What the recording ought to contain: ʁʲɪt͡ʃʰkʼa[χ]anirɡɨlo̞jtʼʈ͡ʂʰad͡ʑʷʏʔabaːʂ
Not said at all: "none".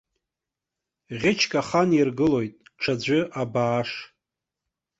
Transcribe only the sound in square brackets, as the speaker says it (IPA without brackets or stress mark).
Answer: χ